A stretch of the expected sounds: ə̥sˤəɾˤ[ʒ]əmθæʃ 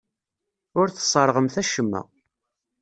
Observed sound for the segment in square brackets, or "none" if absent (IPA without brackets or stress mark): ʁ